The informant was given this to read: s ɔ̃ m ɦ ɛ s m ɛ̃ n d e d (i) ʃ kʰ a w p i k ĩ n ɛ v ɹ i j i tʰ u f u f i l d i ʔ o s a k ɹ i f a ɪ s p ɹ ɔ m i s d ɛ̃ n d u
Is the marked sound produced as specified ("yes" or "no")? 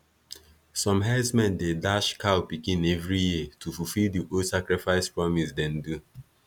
no